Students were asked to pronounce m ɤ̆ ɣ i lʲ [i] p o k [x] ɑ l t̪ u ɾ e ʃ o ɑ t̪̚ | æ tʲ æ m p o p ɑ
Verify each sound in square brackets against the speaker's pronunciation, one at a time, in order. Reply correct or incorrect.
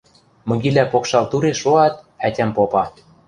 incorrect: æ, incorrect: ʃ

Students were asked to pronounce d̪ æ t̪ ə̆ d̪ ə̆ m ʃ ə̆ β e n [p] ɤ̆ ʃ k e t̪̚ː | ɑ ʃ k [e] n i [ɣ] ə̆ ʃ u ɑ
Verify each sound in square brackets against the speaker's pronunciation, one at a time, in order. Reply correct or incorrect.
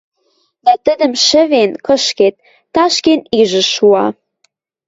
incorrect: k, correct, incorrect: ʒ

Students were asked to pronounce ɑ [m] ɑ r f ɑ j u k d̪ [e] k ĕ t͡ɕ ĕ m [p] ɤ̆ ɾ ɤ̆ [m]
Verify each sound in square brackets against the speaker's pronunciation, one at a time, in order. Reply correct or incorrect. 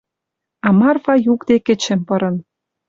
correct, correct, correct, incorrect: n

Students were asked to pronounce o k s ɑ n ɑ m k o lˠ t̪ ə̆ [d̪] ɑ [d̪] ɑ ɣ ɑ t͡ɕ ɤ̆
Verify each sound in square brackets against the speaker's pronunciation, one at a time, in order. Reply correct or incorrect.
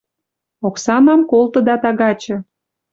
correct, incorrect: t̪

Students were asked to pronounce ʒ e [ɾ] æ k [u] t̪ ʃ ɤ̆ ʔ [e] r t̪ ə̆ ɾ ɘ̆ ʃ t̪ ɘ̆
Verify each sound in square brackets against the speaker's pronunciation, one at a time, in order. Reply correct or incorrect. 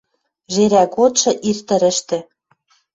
correct, incorrect: o, incorrect: i

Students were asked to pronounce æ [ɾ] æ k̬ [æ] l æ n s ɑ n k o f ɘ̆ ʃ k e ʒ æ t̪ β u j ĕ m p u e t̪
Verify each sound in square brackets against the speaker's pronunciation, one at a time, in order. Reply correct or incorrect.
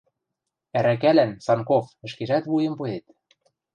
correct, correct

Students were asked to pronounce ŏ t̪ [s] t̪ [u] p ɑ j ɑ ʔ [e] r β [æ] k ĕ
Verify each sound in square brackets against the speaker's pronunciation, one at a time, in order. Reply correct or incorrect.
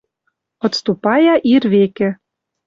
correct, correct, incorrect: i, incorrect: e

